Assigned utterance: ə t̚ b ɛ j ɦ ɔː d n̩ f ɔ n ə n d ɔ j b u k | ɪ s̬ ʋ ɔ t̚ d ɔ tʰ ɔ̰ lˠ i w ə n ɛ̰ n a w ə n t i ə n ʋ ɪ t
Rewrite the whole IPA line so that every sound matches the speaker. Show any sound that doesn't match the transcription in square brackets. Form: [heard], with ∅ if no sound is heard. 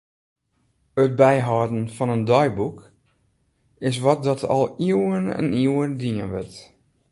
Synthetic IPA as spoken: ə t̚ b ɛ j ɦ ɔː d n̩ f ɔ n ə n d ɔ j b u k | ɪ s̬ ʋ ɔ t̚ d ɔ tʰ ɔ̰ lˠ i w ə n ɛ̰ n [i] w ə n [d] i ə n ʋ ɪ t